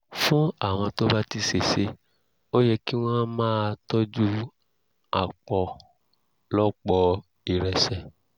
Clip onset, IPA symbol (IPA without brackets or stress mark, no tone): f